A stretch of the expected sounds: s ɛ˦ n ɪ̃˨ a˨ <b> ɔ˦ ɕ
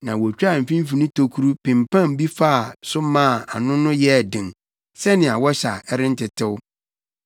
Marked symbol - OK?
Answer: no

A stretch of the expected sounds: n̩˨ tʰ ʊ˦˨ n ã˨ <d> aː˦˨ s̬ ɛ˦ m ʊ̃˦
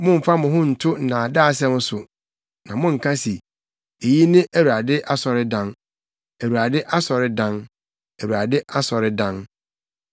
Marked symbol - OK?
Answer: yes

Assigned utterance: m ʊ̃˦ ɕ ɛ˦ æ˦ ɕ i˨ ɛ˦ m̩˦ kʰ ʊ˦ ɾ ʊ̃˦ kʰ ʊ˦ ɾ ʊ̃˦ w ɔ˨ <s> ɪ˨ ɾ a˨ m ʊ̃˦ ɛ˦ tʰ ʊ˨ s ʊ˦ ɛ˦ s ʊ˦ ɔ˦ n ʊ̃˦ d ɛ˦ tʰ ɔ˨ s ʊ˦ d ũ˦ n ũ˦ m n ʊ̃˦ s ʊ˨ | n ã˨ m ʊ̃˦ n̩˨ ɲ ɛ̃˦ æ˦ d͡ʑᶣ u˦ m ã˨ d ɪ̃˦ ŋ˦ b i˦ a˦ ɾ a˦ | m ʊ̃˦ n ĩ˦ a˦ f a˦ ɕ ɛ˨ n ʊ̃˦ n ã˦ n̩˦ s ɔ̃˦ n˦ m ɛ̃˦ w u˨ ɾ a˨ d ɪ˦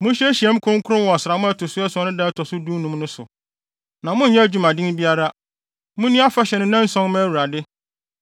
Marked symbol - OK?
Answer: yes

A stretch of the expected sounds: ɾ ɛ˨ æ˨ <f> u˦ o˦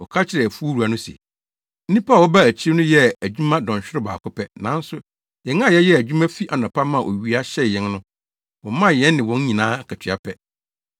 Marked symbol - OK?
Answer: yes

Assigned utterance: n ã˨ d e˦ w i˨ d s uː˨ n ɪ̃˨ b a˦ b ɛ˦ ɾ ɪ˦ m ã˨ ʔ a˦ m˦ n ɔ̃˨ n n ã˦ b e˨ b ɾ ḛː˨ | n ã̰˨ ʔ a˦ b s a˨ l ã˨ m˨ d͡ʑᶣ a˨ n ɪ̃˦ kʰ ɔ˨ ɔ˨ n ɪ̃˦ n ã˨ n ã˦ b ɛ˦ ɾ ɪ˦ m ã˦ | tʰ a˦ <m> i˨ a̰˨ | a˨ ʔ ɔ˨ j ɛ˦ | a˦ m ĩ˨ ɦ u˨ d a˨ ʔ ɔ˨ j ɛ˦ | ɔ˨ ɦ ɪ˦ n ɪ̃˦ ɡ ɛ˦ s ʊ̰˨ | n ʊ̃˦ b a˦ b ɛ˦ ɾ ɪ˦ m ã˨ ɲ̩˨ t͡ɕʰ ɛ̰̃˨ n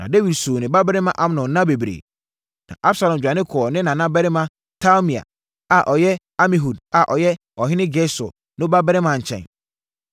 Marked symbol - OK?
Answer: yes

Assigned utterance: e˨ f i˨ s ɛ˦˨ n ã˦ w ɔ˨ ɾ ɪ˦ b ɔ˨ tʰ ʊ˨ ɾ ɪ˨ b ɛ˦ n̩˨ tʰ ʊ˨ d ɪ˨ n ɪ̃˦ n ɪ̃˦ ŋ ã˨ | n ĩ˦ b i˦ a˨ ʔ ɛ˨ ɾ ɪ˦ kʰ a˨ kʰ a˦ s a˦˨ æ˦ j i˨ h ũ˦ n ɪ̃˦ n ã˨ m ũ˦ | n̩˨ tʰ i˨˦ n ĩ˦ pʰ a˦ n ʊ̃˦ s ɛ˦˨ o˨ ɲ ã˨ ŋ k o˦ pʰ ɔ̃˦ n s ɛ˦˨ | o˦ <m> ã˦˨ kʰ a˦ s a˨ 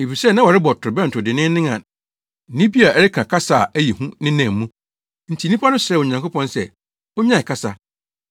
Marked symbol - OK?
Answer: no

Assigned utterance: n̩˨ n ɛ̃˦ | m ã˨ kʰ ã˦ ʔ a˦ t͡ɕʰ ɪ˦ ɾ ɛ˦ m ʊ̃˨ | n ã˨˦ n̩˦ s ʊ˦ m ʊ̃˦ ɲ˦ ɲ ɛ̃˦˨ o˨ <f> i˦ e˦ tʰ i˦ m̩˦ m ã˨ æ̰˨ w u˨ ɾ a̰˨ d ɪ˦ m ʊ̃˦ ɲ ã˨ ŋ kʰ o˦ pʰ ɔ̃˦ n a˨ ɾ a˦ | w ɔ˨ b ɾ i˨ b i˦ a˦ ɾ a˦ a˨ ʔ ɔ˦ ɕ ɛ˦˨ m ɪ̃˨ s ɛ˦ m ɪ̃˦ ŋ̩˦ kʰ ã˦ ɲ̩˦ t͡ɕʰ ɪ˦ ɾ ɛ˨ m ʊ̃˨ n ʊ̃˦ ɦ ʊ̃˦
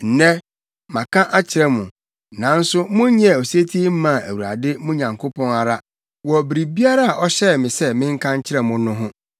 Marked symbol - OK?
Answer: no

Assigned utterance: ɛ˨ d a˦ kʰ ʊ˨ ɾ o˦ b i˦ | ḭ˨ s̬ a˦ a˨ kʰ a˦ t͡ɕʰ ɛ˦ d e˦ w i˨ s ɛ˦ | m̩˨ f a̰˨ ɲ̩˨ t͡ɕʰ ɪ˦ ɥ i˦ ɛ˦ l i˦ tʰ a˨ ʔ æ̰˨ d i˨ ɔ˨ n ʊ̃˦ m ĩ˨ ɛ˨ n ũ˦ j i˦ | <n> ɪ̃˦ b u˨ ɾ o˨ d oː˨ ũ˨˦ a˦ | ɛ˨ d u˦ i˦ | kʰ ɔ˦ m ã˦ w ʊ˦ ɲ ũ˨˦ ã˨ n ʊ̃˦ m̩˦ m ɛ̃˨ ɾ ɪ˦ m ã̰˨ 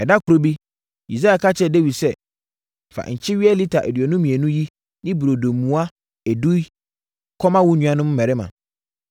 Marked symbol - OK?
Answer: yes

